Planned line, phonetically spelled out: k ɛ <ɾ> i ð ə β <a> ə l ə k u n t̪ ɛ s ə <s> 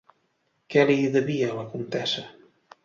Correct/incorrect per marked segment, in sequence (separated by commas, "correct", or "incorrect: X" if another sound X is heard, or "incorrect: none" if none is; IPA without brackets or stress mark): incorrect: l, incorrect: i, incorrect: none